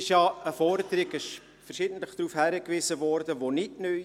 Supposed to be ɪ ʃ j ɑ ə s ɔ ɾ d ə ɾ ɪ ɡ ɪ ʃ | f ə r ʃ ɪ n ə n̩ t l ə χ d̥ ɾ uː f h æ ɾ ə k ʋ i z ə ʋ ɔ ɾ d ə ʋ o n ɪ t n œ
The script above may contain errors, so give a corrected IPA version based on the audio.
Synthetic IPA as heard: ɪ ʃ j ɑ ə f ɔ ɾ d ə ɾ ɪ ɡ ɪ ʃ | f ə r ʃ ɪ d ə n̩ t l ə χ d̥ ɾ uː f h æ ɾ ə k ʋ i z ə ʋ ɔ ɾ d ə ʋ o n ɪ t n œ